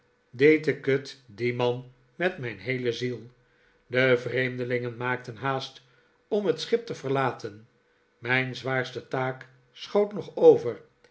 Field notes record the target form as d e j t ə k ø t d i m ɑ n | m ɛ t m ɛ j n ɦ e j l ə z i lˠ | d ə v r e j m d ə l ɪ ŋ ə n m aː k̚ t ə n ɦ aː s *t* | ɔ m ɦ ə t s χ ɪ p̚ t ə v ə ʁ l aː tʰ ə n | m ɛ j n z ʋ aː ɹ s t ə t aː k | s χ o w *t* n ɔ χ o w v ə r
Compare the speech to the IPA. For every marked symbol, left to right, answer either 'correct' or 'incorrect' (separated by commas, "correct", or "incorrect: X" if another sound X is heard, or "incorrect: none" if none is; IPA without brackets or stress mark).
correct, correct